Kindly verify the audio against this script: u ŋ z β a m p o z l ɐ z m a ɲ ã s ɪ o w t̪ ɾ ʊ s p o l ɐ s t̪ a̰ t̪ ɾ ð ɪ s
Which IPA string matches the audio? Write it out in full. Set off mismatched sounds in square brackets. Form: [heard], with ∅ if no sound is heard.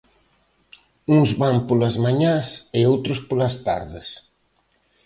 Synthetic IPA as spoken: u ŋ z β a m p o [∅] l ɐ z m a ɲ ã s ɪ o w t̪ ɾ ʊ s p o l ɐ s t̪ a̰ [∅] ɾ ð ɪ s